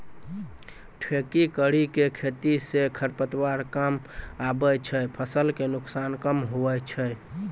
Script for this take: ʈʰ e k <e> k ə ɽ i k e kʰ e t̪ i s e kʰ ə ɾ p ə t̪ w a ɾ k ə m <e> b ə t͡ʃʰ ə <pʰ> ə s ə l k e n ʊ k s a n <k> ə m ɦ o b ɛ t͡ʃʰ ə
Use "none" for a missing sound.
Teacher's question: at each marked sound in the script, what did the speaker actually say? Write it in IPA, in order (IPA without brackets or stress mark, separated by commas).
i, a, pʰ, k